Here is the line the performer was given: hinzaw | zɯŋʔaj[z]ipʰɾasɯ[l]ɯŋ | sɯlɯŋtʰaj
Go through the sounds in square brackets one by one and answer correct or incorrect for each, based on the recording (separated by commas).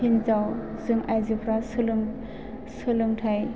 correct, correct